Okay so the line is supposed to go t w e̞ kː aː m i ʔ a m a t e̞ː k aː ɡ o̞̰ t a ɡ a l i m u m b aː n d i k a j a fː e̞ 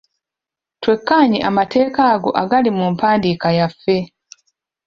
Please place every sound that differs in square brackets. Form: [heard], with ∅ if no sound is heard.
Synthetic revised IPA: t w e̞ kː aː [ɲ] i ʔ a m a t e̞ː k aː ɡ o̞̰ [ʔ] a ɡ a l i m u m [p] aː n d i k a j a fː e̞